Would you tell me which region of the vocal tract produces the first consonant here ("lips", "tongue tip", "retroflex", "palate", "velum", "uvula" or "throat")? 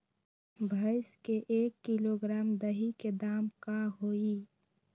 lips